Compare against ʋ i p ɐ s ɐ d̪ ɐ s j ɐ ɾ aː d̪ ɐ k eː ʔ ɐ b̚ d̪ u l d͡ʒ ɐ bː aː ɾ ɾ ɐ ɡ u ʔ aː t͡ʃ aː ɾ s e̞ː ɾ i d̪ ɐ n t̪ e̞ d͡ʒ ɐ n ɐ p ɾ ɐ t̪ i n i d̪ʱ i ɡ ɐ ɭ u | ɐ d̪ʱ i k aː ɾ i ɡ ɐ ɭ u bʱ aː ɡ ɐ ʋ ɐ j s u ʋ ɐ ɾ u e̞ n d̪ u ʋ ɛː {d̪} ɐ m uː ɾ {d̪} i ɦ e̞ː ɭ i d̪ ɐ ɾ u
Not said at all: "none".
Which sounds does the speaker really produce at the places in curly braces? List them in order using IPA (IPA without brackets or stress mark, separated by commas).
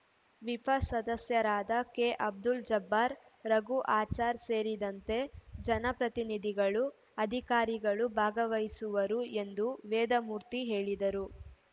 d̪, t̪